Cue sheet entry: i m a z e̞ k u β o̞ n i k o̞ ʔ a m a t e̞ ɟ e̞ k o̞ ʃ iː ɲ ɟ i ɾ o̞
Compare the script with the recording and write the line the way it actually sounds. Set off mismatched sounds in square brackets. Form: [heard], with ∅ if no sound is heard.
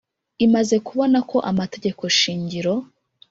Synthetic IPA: i m a z e̞ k u β o̞ n [a] k o̞ ʔ a m a t e̞ ɟ e̞ k o̞ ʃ iː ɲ ɟ i ɾ o̞